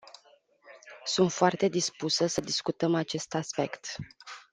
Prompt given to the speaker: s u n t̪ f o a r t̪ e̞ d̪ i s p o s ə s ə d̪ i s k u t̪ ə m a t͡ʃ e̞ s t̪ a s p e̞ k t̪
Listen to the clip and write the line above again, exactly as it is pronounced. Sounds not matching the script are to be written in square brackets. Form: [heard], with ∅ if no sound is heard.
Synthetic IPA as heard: s u n t̪ f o a r t̪ e̞ d̪ i s p [u] s ə s ə d̪ i s k u t̪ ə m a t͡ʃ e̞ s t̪ a s p e̞ k t̪